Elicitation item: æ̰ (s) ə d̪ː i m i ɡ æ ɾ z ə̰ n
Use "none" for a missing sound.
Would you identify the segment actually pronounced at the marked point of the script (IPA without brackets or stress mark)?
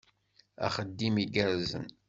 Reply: χ